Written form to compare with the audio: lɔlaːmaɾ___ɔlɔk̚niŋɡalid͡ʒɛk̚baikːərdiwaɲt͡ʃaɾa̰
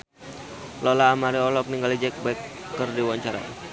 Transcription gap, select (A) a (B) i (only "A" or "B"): B